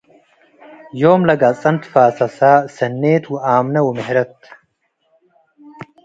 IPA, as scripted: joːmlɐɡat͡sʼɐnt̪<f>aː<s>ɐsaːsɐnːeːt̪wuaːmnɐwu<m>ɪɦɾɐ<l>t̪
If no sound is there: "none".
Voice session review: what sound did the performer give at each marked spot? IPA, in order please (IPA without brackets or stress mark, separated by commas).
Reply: f, s, m, none